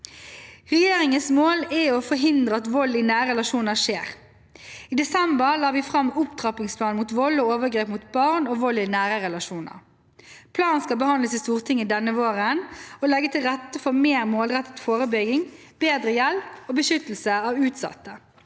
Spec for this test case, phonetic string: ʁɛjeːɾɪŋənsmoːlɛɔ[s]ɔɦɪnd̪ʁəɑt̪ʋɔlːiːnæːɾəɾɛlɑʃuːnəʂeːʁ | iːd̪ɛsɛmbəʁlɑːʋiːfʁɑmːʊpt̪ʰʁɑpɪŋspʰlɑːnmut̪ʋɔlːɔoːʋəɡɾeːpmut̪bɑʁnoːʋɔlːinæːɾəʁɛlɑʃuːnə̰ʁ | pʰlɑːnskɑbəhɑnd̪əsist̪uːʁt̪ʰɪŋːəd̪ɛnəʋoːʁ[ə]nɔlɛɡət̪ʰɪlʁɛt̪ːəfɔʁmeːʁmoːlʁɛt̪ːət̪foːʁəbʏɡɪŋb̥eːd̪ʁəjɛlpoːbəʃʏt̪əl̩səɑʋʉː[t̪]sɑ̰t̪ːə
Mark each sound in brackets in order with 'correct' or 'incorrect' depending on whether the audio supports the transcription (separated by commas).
incorrect, correct, correct